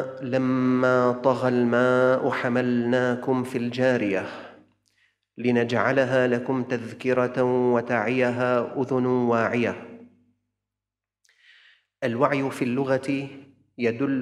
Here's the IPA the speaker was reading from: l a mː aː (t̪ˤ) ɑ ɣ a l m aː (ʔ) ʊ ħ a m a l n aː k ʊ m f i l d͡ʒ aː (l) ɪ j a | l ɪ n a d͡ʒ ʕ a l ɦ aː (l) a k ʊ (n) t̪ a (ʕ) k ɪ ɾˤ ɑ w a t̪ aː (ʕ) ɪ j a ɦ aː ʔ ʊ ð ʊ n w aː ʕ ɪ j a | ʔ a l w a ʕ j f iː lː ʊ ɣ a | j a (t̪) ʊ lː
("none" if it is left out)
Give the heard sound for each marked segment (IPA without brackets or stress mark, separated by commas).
t̪ˤ, ʔ, ɾ, l, m, ð, ʕ, d̪